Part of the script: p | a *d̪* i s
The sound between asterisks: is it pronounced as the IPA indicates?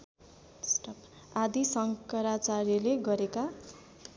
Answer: yes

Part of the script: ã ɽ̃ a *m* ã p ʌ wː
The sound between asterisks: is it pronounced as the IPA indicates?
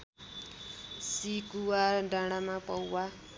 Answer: yes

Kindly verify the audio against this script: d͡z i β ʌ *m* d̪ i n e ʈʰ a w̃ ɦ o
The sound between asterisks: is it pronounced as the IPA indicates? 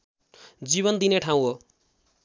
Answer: no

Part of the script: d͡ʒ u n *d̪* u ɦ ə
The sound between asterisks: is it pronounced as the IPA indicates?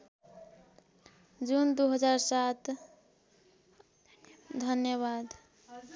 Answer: yes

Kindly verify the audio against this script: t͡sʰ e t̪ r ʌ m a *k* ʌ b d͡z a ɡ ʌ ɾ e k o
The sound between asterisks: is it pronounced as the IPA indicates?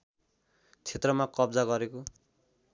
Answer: yes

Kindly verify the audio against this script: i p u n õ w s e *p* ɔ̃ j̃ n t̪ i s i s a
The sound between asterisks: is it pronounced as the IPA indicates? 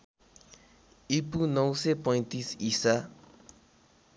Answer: yes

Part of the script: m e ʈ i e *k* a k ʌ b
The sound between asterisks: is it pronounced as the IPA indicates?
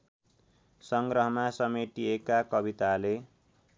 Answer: yes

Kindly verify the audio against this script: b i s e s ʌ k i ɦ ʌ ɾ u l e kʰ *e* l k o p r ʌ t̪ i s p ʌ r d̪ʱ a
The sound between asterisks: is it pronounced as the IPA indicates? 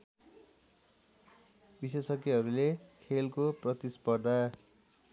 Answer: yes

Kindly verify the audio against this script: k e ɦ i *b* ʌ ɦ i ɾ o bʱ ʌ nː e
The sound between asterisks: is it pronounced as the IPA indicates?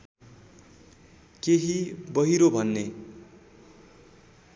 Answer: yes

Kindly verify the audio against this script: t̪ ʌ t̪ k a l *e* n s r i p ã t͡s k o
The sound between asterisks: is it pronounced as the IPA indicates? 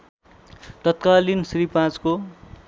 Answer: no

